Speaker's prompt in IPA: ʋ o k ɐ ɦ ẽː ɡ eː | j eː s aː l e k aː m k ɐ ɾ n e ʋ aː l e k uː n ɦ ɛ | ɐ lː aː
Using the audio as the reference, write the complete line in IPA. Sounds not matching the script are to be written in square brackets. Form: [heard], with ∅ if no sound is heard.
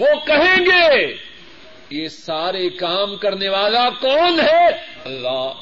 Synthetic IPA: ʋ o k ɐ ɦ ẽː ɡ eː | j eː s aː [ɾ] e k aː m k ɐ ɾ n e ʋ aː l [a] k [ɔː] n ɦ ɛ | ɐ lː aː